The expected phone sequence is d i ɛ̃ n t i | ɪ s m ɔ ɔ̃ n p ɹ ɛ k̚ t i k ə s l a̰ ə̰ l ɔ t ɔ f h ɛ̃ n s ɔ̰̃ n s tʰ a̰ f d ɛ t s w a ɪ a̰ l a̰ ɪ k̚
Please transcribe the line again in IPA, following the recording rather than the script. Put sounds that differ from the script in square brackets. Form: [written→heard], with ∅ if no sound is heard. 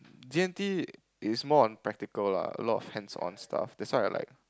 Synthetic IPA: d i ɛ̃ n t i | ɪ s m ɔ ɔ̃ n p ɹ ɛ k̚ t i k ə [s→∅] l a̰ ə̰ l ɔ t ɔ f h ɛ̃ n s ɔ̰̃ n s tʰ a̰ f d ɛ t s w a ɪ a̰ l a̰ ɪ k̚